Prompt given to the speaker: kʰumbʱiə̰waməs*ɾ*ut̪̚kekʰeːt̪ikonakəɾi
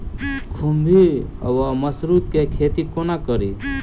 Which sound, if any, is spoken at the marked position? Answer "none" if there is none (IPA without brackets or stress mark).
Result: ɾ